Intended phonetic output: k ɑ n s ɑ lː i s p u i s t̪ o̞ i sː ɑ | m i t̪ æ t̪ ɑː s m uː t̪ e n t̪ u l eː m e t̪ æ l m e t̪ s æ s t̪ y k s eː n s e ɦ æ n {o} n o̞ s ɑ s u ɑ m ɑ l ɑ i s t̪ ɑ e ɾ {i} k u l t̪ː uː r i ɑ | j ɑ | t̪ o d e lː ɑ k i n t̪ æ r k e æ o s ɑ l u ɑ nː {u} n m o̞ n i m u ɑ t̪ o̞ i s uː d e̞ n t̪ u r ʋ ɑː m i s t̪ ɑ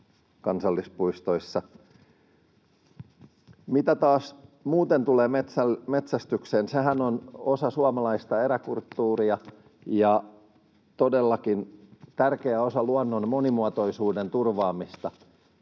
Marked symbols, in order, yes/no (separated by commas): yes, no, no